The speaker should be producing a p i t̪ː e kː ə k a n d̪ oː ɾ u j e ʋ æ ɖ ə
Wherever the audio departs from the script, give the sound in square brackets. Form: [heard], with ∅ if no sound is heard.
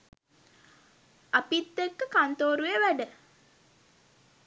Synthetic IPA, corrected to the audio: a p i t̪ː e kː ə k a n [t̪] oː ɾ u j e ʋ æ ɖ ə